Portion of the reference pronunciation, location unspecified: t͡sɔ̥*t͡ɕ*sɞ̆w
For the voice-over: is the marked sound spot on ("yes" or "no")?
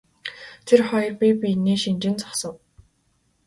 no